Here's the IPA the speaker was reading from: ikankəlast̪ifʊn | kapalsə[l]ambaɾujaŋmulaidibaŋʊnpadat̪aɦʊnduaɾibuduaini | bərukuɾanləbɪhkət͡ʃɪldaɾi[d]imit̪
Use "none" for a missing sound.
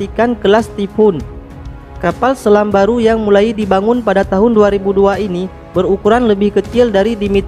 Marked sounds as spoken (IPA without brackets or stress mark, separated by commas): l, d